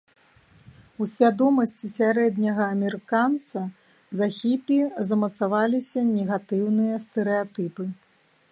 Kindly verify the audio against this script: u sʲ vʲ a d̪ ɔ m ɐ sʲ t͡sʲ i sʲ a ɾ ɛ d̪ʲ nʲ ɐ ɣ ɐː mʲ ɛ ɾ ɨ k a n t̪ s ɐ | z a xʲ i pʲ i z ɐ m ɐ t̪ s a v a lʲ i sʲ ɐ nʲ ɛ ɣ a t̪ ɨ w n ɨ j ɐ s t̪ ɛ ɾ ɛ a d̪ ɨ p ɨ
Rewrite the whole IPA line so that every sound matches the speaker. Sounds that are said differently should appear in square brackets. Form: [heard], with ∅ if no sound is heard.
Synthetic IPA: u sʲ vʲ a d̪ ɔ m ɐ sʲ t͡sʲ i sʲ a ɾ ɛ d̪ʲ nʲ ɐ ɣ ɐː mʲ ɛ ɾ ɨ k a n t̪ s ɐ | z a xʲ i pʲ i z ɐ m ɐ t̪ s a v a lʲ i sʲ ɐ nʲ ɛ ɣ a t̪ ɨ w n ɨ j ɐ s t̪ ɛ ɾ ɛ a [t̪] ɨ p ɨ